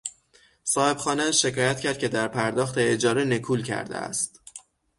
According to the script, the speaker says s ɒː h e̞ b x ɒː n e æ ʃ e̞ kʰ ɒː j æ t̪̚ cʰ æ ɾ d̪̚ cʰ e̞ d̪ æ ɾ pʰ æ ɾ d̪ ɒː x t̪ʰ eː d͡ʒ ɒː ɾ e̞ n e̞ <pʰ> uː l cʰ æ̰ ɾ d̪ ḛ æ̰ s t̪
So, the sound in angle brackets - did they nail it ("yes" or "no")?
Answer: no